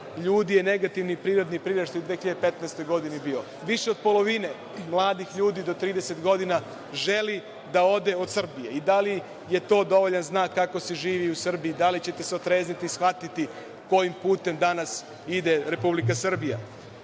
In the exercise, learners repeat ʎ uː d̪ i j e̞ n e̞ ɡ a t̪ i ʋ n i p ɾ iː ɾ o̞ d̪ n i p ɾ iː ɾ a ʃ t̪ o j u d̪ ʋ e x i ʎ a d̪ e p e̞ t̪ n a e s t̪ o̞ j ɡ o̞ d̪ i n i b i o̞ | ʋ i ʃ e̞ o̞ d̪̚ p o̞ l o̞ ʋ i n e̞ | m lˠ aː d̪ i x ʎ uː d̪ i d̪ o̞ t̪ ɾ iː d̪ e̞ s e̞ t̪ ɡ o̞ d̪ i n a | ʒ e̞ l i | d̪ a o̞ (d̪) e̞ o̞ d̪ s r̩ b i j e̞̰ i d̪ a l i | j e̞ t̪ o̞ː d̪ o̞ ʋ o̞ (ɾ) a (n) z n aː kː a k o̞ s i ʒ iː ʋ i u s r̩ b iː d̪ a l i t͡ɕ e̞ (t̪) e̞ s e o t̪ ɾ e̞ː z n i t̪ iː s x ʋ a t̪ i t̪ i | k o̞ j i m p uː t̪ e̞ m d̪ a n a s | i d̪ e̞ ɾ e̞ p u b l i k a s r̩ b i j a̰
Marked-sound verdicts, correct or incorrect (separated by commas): correct, incorrect, correct, correct